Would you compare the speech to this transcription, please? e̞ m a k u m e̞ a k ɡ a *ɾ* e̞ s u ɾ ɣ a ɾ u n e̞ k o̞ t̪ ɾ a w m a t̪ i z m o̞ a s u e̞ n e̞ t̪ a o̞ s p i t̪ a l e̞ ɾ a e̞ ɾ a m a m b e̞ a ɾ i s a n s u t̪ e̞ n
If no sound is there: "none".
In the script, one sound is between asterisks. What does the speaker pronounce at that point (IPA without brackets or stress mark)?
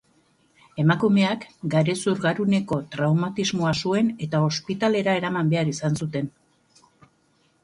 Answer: ɾ